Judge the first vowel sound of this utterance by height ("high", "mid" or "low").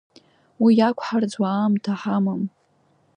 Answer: high